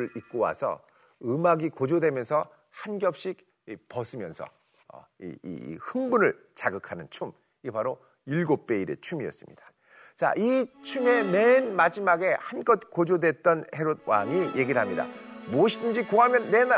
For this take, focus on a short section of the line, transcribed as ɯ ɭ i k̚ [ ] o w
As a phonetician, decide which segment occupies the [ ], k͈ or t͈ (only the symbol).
k͈